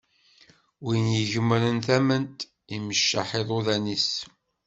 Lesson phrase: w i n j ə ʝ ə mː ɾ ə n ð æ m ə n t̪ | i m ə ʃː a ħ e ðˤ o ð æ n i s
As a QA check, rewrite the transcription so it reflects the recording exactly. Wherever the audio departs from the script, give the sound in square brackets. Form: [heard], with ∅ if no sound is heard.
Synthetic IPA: w i n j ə ʝ ə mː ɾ ə n [θ] æ m ə n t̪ | i m ə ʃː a ħ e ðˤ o ð æ n i s